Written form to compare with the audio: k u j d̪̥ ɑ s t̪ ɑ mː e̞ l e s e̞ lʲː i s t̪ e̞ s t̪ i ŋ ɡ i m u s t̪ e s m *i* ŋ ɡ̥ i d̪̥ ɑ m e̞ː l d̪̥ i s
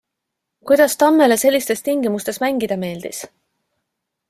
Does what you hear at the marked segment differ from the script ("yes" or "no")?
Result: yes